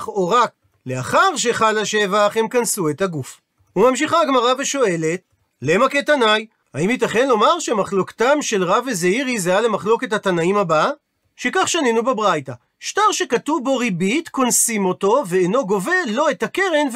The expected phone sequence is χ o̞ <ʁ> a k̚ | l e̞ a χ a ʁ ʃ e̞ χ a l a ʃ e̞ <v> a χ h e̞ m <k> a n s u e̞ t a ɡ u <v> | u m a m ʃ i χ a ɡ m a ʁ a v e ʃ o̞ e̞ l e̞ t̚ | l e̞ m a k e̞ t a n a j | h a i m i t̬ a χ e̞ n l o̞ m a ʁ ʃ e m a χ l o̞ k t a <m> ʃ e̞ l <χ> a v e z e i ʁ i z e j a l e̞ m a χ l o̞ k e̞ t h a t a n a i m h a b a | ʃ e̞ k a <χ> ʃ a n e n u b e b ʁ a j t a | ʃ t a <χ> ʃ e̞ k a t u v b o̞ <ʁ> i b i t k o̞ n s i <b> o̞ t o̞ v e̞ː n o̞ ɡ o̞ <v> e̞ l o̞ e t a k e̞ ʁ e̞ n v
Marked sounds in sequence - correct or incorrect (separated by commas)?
correct, correct, correct, incorrect, correct, incorrect, correct, incorrect, correct, incorrect, correct